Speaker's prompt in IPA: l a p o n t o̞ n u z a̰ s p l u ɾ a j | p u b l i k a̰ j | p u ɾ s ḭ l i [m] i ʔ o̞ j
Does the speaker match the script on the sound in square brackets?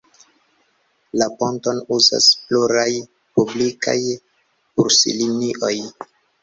no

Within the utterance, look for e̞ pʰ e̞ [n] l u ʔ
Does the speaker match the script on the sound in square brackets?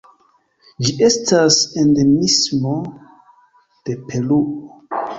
no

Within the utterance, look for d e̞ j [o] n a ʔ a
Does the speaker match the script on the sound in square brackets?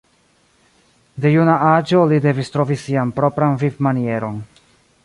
no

